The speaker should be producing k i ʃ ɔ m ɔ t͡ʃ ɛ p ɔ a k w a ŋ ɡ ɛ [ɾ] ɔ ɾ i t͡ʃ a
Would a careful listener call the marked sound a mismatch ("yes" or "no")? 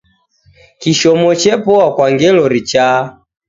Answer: yes